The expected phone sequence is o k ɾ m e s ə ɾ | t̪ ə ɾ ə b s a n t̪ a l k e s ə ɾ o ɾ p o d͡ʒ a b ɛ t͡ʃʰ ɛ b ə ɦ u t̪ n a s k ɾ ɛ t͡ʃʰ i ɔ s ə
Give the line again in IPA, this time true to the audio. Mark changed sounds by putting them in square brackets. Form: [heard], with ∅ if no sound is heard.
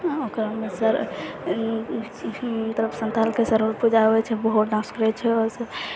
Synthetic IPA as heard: o k ɾ m e s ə ɾ | t̪ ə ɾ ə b s [ə] n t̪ a l k e s ə ɾ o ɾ p [u] d͡ʒ a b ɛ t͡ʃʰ ɛ b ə ɦ u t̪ n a s k ɾ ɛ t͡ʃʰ [ɛ] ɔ s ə